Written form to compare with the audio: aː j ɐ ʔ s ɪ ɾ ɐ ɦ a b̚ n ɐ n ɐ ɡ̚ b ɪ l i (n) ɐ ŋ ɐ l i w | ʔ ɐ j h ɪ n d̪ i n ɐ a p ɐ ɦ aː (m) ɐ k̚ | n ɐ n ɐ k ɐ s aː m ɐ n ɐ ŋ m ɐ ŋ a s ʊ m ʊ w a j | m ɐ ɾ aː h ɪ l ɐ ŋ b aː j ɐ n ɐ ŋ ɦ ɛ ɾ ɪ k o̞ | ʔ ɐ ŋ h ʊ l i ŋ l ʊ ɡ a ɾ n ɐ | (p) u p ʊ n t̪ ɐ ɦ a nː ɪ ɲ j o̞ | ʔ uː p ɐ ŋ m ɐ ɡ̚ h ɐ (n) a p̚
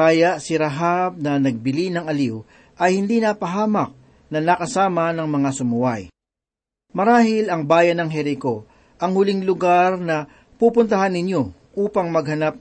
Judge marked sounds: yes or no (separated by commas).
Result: yes, yes, yes, yes